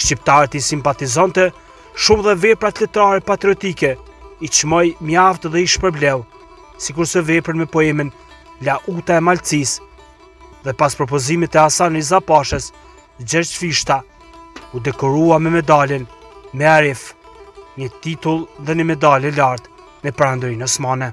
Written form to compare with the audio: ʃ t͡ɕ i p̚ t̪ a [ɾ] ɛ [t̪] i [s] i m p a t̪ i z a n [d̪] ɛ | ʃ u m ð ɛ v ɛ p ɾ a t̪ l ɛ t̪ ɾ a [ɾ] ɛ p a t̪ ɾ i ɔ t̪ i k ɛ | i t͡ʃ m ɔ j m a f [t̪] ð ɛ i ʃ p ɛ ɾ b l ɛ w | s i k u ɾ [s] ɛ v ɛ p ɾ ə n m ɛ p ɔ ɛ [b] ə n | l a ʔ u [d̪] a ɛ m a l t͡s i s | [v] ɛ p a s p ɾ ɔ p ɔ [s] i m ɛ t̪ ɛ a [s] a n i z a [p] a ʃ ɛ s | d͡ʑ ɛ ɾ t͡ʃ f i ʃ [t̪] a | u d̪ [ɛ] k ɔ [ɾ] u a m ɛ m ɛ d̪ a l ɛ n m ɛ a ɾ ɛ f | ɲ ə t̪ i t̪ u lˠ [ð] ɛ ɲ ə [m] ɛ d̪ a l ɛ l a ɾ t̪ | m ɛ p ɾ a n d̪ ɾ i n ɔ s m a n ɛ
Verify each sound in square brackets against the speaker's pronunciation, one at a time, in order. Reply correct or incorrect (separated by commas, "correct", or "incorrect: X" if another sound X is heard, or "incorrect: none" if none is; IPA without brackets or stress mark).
correct, correct, correct, incorrect: t̪, correct, correct, correct, incorrect: m, incorrect: t̪, incorrect: ð, incorrect: z, correct, correct, correct, correct, correct, correct, correct